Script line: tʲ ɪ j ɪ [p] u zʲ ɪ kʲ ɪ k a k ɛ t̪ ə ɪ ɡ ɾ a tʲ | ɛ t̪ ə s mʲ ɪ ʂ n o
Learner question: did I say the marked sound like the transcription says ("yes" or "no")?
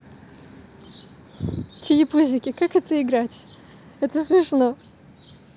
yes